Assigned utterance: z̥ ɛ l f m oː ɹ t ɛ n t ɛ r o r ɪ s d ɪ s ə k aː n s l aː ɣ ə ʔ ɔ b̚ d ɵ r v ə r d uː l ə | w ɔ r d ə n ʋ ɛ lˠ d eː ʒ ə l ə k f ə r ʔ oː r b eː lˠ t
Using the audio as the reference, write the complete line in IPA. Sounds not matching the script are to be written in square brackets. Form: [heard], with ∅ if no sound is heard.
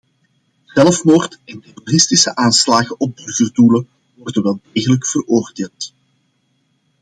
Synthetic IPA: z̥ ɛ l f m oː [r] t ɛ n t ɛ r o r ɪ s [t] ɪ s ə [ʔ] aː n s l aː ɣ ə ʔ ɔ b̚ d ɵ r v ə r d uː l ə | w ɔ r d ə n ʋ ɛ lˠ d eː [ɣ] ə l ə k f ə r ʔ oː r [d] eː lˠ t